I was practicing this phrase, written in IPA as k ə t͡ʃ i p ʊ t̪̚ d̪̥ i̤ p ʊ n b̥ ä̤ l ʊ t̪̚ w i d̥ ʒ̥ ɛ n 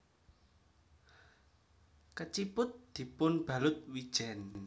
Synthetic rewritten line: k ə t͡ʃ i p ʊ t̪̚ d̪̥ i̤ p ʊ n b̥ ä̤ l ʊ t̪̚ w i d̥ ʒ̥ ɛ n